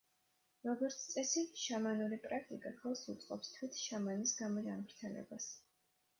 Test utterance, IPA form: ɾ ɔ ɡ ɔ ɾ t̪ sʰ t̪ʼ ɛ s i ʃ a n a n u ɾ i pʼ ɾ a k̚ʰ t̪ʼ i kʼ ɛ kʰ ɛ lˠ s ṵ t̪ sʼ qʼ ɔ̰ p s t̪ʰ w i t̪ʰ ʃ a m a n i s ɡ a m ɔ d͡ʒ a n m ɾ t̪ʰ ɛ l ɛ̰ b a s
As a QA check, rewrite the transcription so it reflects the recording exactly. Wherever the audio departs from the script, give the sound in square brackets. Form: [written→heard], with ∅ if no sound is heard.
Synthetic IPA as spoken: ɾ ɔ ɡ ɔ ɾ t̪ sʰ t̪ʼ ɛ s i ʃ a [n→m] a n u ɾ i pʼ ɾ a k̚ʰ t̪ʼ i kʼ [ɛ→a] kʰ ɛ lˠ s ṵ t̪ sʼ qʼ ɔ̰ p s t̪ʰ w i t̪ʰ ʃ a m a n i s ɡ a m ɔ d͡ʒ a n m ɾ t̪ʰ ɛ l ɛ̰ b a s